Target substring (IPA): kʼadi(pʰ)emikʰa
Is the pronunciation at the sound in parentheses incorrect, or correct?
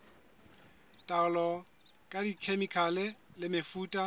incorrect